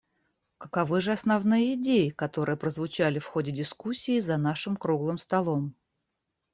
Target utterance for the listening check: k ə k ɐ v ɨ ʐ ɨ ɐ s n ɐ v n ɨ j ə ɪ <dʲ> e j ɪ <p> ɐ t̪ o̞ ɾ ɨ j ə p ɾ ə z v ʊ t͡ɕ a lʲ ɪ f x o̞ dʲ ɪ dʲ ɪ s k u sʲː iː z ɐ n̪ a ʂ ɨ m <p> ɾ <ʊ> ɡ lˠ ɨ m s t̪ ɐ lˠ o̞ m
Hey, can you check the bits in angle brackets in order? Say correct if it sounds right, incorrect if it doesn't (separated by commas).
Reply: correct, incorrect, incorrect, incorrect